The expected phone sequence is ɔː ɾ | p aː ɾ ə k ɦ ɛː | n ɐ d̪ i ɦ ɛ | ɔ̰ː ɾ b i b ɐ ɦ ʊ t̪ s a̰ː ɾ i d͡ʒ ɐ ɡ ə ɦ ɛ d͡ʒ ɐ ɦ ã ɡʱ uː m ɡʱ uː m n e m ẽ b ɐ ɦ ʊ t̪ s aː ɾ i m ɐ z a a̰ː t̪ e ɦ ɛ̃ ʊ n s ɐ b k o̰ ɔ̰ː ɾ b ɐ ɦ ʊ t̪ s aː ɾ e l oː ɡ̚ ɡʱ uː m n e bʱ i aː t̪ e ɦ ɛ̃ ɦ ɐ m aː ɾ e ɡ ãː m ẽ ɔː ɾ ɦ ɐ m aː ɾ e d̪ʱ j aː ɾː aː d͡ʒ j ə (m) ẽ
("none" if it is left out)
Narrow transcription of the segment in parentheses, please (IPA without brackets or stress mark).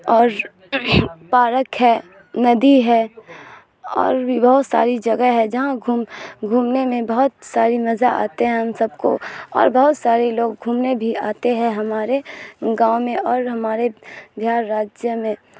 m